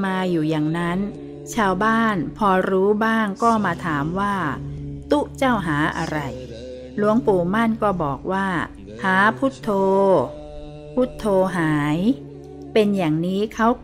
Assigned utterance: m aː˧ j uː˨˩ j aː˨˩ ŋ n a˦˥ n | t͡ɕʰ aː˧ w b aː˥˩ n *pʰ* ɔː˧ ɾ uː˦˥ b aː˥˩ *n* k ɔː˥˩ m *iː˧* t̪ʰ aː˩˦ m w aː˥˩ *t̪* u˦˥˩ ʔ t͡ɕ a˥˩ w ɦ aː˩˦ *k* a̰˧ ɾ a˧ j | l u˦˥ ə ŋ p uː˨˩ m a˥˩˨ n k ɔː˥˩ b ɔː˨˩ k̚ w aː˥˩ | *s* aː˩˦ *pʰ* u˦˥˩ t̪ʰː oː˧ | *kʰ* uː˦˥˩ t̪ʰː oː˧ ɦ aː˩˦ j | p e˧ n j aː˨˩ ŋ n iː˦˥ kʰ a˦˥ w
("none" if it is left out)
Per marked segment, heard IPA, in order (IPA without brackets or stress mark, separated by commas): pʰ, ŋ, aː˧, t̪, ʔ, h, pʰ, pʰ